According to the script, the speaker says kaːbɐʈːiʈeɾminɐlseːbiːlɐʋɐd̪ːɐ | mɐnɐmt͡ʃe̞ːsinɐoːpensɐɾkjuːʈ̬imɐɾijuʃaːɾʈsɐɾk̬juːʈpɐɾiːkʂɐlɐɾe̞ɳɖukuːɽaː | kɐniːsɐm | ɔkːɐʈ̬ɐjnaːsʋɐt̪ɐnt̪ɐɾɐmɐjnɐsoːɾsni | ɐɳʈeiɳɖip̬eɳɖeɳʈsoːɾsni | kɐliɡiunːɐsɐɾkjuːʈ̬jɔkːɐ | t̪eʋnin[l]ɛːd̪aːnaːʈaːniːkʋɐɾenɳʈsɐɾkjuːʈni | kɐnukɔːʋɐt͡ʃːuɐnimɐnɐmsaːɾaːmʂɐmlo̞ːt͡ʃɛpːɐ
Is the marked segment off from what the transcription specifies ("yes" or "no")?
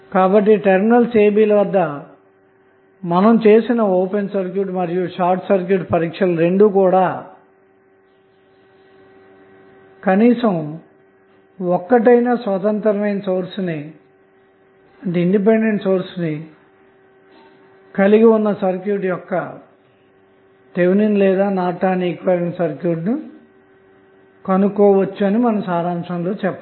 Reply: no